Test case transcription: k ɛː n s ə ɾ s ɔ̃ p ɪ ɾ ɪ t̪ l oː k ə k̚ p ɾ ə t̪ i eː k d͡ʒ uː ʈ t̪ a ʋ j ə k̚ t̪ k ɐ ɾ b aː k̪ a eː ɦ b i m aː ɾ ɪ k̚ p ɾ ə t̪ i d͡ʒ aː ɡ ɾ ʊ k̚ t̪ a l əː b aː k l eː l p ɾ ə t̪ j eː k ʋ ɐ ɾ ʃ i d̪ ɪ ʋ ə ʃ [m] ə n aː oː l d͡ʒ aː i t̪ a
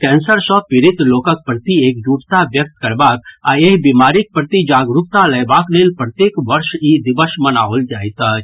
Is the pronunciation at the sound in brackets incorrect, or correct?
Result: correct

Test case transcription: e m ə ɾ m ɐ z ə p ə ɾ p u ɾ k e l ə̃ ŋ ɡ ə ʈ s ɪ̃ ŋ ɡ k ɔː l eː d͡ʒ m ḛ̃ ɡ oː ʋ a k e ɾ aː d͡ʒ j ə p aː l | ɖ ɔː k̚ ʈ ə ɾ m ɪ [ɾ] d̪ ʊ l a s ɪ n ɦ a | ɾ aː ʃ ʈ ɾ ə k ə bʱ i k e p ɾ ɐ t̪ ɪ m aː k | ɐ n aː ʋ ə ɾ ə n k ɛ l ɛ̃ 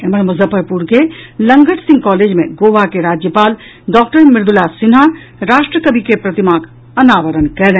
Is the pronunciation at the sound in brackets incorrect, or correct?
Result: correct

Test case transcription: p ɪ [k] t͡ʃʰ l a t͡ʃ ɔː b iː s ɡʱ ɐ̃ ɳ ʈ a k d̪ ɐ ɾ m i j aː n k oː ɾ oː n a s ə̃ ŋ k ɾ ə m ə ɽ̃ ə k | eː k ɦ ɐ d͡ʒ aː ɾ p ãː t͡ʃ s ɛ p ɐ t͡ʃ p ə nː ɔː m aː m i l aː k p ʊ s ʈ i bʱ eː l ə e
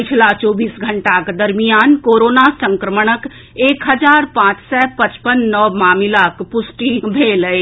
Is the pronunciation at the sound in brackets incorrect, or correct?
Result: incorrect: none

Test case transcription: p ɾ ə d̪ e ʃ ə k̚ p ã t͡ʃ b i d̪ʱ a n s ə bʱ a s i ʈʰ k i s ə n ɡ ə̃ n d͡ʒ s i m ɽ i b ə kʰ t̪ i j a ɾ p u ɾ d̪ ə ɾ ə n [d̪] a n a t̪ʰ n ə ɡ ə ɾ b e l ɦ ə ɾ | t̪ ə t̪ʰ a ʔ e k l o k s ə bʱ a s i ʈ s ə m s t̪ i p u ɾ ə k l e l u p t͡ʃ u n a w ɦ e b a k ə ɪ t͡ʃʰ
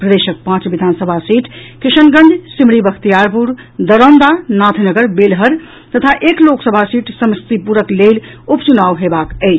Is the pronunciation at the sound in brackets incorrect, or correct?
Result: correct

